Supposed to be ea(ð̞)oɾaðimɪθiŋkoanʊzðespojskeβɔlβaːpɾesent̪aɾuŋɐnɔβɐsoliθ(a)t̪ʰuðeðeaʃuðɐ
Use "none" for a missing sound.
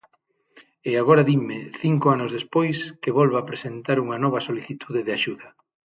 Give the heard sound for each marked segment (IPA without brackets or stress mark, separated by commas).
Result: ɣ̞, i